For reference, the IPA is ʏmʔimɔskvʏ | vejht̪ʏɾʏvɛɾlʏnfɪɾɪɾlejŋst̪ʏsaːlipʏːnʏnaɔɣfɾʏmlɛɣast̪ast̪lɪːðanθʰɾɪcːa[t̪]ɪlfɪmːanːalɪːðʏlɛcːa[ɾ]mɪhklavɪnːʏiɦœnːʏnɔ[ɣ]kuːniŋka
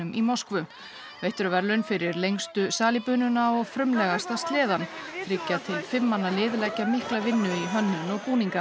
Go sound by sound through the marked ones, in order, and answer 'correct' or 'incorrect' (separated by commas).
incorrect, incorrect, correct